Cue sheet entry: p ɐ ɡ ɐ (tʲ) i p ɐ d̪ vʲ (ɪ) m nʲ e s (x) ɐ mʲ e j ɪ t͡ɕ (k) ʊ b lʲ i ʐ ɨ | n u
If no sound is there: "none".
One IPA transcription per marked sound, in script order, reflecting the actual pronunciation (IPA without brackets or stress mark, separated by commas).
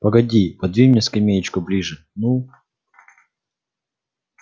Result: dʲ, i, k, k